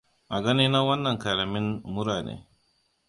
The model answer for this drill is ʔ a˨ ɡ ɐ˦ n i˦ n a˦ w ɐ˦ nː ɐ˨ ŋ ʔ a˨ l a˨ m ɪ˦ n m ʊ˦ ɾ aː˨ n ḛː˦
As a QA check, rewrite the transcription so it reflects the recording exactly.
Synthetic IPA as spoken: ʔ a˨ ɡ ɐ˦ n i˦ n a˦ w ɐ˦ nː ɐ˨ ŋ k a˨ l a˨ m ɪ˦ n m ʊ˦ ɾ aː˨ n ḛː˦